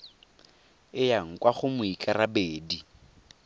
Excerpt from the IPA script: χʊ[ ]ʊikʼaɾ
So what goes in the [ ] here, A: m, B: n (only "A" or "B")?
A